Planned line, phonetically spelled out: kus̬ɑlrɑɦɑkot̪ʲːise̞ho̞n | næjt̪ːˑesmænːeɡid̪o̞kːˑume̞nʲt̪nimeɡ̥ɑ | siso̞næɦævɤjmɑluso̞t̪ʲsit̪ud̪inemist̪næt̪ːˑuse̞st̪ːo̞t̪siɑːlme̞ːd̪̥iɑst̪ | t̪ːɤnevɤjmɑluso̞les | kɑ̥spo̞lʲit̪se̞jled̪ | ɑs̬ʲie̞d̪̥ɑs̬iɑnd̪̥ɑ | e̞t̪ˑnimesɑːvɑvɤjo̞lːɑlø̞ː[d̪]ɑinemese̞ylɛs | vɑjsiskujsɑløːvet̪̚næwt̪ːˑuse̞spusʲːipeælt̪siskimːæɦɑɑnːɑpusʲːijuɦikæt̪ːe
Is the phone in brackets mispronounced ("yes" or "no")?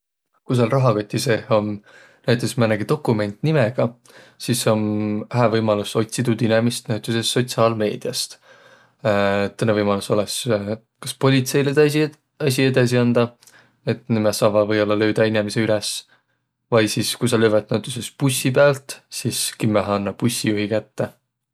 no